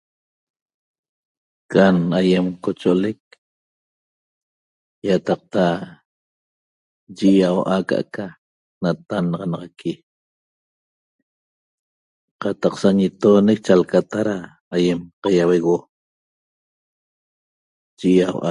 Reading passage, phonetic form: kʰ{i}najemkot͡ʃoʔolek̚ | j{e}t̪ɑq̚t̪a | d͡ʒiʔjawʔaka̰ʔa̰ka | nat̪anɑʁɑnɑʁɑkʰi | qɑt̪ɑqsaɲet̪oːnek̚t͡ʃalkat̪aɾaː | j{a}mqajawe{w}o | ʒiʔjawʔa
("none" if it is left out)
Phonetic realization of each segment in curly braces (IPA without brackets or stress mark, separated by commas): a, a, e, ɣ